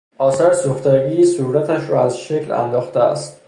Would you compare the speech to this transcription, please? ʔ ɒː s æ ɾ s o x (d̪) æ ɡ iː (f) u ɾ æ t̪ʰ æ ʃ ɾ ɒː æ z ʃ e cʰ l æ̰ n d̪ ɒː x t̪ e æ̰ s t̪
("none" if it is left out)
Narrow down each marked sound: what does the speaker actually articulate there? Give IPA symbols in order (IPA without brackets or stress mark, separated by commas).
t̪, s